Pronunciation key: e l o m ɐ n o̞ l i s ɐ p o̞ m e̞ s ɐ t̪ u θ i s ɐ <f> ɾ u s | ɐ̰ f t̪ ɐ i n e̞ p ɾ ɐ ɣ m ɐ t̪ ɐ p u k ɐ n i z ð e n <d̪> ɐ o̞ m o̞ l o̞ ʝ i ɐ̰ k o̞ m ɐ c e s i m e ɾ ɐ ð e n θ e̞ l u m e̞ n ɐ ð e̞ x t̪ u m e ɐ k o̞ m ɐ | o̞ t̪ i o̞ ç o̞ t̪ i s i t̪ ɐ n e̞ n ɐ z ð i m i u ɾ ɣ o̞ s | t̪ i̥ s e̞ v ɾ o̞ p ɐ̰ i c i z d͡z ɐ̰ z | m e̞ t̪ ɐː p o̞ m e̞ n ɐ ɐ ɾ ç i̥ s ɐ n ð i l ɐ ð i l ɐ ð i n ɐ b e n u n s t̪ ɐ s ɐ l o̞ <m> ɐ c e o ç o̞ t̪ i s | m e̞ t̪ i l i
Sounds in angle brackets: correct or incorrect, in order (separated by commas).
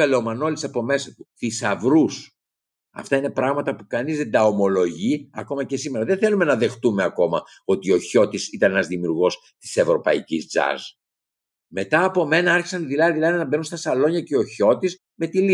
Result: incorrect, correct, incorrect